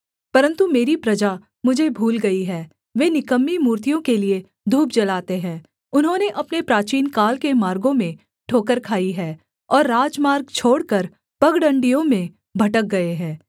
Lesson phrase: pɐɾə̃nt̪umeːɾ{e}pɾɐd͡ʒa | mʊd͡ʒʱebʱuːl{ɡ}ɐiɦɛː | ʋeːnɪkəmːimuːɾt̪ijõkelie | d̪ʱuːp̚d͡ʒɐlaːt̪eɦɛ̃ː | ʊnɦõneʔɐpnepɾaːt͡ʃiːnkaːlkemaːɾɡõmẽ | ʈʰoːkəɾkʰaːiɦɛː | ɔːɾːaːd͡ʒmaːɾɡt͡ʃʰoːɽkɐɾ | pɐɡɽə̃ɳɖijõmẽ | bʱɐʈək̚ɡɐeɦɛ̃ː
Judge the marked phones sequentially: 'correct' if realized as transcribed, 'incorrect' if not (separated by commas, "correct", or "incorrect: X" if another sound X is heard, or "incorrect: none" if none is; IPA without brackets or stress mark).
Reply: incorrect: i, correct